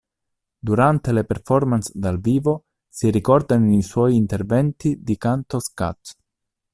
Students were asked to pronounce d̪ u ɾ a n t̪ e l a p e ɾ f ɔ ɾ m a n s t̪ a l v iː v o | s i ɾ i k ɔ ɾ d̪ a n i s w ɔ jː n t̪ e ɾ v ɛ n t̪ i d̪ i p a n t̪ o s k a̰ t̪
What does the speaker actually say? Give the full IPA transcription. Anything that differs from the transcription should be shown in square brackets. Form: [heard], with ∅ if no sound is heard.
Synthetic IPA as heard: d̪ u ɾ a n t̪ e l [e] p e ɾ f ɔ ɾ m a n s [d̪] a l v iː v o | s i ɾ i k ɔ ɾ d̪ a n i s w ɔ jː n t̪ e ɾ v ɛ n t̪ i d̪ i [k] a n t̪ o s k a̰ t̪